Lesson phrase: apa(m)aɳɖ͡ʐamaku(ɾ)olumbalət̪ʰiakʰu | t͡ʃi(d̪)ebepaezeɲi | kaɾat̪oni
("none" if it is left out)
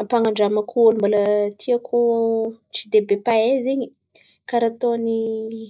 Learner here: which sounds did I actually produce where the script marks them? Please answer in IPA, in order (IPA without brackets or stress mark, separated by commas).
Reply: ŋ, none, d̪